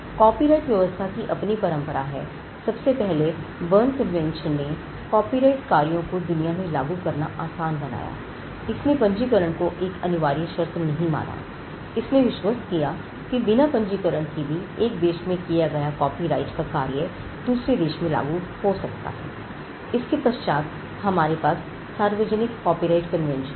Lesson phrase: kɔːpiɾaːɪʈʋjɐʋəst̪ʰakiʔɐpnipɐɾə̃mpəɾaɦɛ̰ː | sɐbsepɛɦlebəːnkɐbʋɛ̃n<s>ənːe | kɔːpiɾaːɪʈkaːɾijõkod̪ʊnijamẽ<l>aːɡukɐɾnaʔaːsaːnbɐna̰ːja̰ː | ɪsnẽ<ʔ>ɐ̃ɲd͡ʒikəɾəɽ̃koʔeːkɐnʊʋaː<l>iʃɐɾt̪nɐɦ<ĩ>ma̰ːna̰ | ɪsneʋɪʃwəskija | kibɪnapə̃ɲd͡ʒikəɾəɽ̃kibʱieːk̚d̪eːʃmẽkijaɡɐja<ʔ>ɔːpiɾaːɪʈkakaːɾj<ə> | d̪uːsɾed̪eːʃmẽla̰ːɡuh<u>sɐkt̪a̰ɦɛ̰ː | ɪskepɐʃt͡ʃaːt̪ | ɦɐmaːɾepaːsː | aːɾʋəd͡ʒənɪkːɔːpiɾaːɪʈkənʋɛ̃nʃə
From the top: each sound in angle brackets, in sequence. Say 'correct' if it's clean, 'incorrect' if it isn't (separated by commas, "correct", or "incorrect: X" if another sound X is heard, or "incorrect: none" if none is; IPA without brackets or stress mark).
incorrect: ʃ, correct, incorrect: p, incorrect: ɾ, correct, incorrect: k, correct, incorrect: o